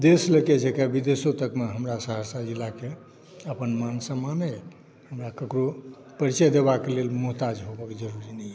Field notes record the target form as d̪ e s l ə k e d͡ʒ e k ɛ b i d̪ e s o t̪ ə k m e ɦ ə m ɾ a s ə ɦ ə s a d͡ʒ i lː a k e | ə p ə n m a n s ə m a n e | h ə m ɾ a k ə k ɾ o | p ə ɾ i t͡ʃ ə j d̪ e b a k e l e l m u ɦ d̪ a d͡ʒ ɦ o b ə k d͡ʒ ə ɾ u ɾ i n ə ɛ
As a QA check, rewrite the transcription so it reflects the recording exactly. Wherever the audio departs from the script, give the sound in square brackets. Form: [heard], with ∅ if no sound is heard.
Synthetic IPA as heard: d̪ e s l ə k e d͡ʒ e k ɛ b i d̪ e s o t̪ ə k m e ɦ ə m ɾ a s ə ɦ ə s a d͡ʒ i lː a k e | ə p ə n m a n s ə m a n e | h ə m ɾ a k ə k ɾ o | p ə ɾ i t͡ʃ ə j d̪ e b a k e l e l m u ɦ [t̪] a d͡ʒ ɦ o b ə k d͡ʒ ə ɾ u ɾ i n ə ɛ